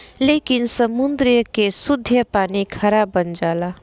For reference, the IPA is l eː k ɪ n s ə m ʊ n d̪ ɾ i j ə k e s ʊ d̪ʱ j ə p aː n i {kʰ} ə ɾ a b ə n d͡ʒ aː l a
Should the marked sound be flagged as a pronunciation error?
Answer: no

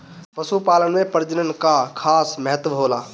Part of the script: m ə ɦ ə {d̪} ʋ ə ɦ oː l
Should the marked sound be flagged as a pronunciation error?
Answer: yes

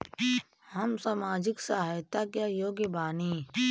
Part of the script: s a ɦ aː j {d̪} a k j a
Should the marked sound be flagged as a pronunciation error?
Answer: yes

